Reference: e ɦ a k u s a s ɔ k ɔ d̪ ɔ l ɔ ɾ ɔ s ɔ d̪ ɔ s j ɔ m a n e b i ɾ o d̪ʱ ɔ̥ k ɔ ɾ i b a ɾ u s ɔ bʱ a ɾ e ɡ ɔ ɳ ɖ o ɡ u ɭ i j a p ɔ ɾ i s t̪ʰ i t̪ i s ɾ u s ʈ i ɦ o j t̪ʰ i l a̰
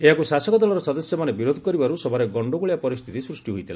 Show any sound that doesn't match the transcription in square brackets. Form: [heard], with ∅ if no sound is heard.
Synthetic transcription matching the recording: e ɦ a k u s a s ɔ k ɔ d̪ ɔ l ɔ ɾ ɔ s ɔ d̪ ɔ s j ɔ m a n e b i ɾ o d̪ʱ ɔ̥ k ɔ ɾ i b a ɾ u s ɔ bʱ a ɾ e ɡ ɔ ɳ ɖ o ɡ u ɭ i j a p ɔ ɾ i s t̪ʰ i t̪ i s ɾ u s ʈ i ɦ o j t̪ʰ i l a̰